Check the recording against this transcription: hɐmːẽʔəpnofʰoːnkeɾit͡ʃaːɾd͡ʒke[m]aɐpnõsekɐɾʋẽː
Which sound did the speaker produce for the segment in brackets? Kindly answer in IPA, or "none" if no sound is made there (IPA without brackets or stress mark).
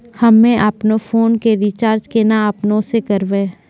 n